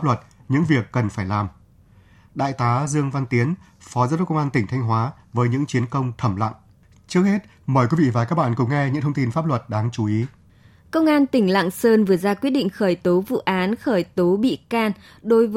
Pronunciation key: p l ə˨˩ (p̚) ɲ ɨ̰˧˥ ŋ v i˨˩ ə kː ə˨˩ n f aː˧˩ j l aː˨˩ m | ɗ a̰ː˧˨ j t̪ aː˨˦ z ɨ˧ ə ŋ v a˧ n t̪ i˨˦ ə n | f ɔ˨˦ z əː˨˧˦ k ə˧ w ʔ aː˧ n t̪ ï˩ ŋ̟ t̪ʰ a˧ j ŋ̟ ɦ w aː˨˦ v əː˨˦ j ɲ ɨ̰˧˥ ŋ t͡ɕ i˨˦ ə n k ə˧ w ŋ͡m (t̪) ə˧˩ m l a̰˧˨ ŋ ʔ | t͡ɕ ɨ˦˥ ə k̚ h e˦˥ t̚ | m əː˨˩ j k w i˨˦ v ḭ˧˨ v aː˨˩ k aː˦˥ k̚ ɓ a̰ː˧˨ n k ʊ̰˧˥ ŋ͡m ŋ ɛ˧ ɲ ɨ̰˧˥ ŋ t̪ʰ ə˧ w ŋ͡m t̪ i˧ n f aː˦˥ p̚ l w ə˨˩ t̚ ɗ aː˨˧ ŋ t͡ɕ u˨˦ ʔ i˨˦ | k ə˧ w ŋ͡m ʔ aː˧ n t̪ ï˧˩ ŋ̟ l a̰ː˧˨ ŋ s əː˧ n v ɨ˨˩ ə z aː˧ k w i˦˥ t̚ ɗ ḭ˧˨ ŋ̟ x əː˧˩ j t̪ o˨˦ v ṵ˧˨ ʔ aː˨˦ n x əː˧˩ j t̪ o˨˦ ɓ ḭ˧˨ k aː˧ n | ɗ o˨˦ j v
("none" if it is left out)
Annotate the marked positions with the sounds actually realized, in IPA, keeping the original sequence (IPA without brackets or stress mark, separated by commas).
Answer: t̚, t̪ʰ